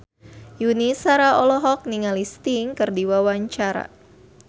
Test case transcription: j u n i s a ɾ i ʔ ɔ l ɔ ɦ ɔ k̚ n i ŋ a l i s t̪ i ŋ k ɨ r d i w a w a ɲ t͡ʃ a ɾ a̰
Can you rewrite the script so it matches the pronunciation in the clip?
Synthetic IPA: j u n i s a ɾ a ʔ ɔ l ɔ ɦ ɔ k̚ n i ŋ a l i s t̪ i ŋ k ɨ r d i w a w a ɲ t͡ʃ a ɾ a̰